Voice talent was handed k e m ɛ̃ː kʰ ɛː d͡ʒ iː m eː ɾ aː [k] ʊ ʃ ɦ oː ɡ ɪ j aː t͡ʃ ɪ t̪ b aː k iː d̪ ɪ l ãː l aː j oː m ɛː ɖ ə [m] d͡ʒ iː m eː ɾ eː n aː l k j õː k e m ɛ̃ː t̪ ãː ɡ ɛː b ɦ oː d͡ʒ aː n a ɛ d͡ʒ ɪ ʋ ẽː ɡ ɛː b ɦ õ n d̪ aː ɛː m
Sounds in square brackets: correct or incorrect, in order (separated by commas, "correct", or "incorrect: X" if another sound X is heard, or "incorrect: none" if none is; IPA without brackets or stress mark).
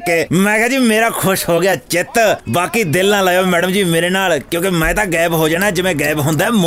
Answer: incorrect: kʰ, correct